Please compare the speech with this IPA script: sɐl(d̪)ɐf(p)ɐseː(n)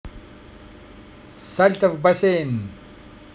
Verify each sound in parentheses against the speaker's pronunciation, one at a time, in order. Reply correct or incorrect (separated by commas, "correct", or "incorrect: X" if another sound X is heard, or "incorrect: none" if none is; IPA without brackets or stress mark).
incorrect: t̪, incorrect: b, correct